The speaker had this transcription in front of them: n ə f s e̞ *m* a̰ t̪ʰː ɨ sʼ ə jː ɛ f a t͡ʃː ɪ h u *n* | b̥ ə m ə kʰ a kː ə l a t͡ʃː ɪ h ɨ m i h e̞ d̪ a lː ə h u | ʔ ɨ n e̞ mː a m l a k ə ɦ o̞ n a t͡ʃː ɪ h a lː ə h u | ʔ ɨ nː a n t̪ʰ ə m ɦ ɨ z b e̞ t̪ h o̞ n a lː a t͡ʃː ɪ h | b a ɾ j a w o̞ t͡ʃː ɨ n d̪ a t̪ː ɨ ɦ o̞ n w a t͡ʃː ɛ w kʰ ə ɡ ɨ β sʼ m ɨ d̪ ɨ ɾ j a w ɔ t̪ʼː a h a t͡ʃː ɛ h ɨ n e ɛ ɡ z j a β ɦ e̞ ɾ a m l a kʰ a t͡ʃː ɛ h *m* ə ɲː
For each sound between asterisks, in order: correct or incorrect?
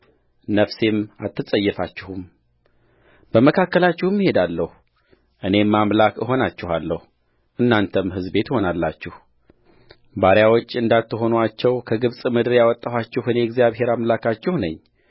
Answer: correct, incorrect: m, incorrect: n

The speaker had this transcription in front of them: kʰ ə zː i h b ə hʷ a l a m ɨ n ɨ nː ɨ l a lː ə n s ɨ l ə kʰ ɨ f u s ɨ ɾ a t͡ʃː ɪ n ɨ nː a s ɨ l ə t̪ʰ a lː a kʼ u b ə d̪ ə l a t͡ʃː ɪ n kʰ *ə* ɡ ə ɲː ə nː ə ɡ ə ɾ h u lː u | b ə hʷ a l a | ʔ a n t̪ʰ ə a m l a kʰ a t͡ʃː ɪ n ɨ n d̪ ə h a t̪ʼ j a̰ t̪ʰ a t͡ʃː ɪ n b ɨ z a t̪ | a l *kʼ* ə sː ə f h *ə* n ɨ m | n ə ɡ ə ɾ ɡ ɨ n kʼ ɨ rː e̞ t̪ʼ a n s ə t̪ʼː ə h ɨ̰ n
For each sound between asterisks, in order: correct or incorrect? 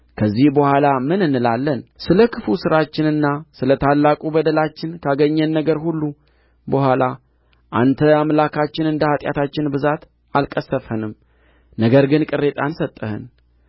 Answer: incorrect: a, correct, correct

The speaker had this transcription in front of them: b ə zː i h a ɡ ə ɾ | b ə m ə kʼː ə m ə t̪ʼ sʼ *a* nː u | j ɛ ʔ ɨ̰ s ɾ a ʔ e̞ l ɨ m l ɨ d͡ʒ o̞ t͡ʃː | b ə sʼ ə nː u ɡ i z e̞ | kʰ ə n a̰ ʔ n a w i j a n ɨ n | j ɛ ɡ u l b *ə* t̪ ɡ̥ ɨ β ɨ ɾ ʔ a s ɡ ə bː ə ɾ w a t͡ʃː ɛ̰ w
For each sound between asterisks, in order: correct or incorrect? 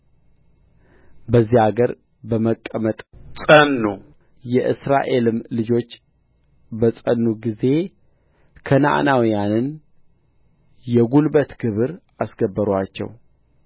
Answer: incorrect: ə, correct

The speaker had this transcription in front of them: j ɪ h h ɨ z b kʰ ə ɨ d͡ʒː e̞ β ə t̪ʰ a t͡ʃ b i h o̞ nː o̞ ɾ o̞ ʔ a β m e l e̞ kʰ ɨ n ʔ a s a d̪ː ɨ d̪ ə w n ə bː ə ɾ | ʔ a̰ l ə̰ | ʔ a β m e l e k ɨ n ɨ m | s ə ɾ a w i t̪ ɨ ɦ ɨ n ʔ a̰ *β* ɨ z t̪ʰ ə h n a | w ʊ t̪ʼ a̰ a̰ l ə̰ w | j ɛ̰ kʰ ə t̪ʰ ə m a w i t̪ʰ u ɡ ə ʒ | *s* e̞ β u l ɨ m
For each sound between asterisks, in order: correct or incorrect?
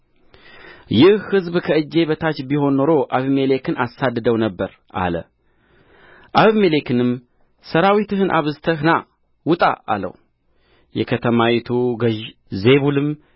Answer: correct, incorrect: z

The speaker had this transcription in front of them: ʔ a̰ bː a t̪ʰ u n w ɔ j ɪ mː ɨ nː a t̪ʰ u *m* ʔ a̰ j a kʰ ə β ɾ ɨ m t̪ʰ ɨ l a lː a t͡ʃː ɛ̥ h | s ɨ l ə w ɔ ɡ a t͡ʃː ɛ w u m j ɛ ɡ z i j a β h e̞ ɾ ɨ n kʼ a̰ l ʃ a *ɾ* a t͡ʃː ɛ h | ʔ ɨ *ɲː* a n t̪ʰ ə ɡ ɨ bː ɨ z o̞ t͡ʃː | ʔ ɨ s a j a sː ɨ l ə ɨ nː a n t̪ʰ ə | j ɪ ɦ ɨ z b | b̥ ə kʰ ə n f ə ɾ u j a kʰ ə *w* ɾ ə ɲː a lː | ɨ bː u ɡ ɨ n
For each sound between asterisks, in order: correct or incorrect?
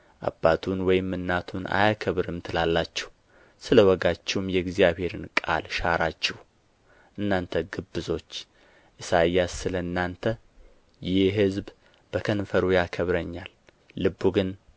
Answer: incorrect: n, correct, incorrect: nː, incorrect: β

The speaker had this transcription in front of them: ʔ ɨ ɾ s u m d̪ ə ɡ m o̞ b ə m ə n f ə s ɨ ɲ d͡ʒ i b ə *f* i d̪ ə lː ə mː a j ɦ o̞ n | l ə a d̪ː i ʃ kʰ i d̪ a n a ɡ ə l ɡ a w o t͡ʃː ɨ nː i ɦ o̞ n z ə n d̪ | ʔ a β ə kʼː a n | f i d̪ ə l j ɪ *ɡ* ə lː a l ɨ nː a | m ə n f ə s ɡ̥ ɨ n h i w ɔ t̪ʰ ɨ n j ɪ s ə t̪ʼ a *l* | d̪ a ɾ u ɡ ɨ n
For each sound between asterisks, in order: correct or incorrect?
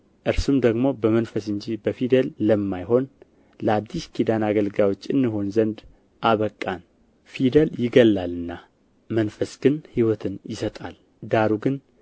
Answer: correct, correct, correct

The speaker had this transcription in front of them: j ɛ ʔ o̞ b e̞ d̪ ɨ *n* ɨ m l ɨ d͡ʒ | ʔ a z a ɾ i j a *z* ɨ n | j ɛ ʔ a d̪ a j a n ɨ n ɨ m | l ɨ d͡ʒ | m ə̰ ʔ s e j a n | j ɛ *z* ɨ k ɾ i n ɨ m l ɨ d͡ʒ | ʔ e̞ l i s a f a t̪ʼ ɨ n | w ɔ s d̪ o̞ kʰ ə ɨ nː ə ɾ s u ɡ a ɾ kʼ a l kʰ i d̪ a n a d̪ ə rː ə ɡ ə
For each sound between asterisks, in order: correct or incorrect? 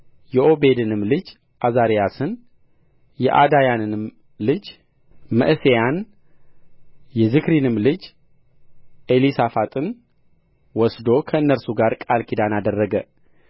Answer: correct, incorrect: s, correct

